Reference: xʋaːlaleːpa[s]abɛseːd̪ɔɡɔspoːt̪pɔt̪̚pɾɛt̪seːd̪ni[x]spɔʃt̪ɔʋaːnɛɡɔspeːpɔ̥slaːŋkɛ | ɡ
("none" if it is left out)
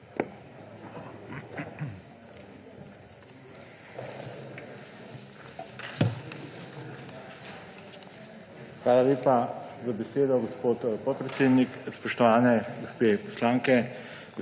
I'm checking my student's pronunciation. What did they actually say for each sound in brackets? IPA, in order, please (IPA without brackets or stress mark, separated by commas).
z, k